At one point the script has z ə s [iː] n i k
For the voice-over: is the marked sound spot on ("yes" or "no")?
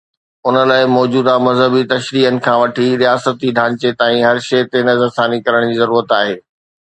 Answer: no